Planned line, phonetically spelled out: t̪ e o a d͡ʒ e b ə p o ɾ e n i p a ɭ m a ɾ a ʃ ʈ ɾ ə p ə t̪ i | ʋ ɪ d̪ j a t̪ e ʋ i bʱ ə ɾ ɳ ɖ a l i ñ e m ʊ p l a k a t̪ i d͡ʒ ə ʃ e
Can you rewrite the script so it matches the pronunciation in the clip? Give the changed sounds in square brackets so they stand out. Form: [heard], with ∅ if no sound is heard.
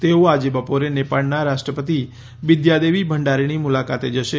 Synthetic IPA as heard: t̪ e o a d͡ʒ e b ə p o ɾ e n [e] p a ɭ [n] a ɾ a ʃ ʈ ɾ ə p ə t̪ i | ʋ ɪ d̪ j a [d̪] e ʋ i bʱ ə [∅] ɳ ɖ a [ɾ] i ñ [i] m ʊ [∅] l a k a t̪ [e] d͡ʒ ə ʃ e